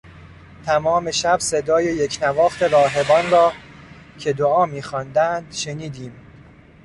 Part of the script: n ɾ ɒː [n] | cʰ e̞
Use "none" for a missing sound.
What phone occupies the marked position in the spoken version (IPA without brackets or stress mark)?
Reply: none